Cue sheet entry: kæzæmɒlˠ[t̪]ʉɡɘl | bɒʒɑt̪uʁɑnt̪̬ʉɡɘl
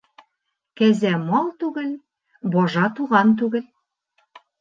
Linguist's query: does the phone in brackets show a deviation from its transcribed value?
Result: no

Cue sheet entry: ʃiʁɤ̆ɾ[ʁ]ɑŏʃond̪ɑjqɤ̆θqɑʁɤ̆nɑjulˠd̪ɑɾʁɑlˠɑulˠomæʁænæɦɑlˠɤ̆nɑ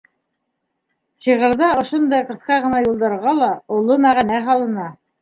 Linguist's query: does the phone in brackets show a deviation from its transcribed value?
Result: yes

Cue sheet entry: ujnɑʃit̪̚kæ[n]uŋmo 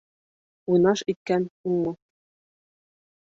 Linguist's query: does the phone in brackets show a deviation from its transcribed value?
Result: no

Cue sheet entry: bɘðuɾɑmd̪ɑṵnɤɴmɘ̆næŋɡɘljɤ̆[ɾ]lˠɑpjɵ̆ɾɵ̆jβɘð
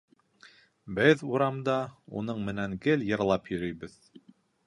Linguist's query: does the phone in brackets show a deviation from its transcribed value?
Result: no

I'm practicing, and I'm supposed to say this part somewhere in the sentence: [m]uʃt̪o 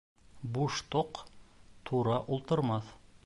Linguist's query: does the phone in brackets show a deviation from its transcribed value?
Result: yes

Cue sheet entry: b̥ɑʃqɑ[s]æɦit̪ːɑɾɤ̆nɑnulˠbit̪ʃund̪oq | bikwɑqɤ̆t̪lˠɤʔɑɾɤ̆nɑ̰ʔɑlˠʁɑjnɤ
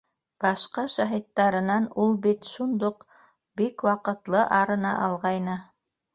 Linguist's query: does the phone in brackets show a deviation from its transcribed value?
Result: yes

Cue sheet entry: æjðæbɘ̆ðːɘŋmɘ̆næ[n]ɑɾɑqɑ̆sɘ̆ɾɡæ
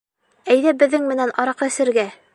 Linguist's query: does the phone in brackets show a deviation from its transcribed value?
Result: no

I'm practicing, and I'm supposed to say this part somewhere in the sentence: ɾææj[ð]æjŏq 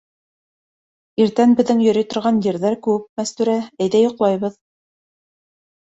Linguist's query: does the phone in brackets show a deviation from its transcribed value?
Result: no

